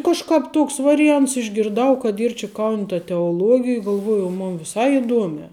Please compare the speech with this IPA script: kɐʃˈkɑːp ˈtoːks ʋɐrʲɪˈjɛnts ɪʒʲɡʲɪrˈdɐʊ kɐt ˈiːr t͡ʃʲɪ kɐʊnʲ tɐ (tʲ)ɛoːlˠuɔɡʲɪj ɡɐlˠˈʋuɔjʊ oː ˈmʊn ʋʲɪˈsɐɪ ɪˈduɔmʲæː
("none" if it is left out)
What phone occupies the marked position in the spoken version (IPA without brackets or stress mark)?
tʲ